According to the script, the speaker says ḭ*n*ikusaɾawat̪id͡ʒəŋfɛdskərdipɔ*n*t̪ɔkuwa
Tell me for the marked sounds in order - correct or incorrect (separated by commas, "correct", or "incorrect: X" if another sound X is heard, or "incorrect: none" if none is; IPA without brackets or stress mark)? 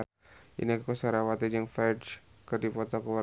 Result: correct, incorrect: none